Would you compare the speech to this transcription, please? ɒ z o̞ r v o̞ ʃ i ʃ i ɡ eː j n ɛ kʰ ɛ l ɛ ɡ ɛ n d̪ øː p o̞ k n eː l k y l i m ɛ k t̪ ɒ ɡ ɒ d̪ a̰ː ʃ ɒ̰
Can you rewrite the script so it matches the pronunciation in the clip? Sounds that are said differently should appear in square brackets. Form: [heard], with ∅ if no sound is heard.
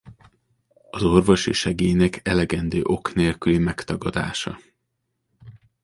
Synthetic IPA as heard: ɒ z o̞ r v o̞ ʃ i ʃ [ɛ] ɡ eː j n ɛ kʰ ɛ l ɛ ɡ ɛ n d̪ øː [ʔ] o̞ k n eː l k y l i m ɛ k t̪ ɒ ɡ ɒ d̪ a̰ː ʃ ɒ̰